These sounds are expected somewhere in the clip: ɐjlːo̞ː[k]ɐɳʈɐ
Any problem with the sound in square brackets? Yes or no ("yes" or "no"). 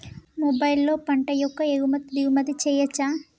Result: yes